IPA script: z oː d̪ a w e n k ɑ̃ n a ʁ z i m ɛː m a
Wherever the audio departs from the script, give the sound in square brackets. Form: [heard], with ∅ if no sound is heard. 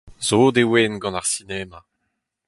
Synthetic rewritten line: z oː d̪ [e] w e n [ɡ] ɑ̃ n a ʁ [s] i [n] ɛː m a